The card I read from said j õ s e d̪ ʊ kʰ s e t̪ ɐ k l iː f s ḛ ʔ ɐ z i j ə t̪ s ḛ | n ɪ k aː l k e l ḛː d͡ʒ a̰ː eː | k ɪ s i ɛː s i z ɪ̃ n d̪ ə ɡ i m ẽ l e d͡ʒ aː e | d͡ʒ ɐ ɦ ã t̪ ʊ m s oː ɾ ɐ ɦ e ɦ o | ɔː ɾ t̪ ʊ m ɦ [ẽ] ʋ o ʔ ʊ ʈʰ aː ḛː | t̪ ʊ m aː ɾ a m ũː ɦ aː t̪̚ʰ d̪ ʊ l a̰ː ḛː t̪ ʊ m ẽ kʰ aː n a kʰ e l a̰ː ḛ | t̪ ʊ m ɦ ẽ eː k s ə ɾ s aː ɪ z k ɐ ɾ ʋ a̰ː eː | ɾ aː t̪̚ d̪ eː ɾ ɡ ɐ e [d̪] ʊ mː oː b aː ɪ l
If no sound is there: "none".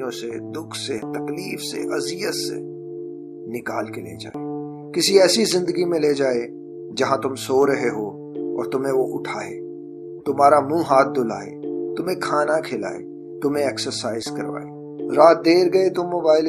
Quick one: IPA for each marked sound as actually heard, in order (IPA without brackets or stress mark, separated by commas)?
ẽ, t̪